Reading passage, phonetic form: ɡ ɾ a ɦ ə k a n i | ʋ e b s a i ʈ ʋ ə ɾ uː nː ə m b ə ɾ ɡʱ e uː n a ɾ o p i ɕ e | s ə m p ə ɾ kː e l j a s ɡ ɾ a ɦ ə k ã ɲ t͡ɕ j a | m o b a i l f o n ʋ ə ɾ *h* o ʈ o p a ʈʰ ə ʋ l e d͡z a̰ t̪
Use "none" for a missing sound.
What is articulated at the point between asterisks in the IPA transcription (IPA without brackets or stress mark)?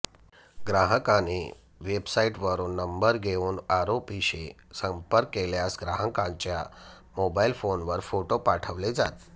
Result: f